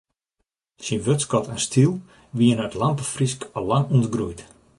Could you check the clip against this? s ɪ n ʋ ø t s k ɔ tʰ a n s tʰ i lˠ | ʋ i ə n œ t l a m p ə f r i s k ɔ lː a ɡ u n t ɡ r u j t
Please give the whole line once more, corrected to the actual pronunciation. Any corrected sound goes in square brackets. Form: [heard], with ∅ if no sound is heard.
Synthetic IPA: s [i] n ʋ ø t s k ɔ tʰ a n s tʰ i lˠ | ʋ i ə n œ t l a m p ə f r i s k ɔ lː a [ŋ] u n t ɡ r u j t